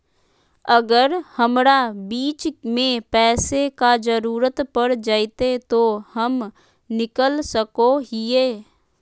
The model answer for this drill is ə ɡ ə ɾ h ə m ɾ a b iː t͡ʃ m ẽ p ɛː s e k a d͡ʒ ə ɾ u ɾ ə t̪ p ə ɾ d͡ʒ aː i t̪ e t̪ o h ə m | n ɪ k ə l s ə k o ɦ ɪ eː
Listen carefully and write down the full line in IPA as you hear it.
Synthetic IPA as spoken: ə ɡ ə ɾ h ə m ɾ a b iː t͡ʃ m ẽ p ɛː s e k a d͡ʒ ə ɾ uː ɾ ə t̪ p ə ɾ d͡ʒ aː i t̪ e t̪ o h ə m | n ɪ k ə l s ə k o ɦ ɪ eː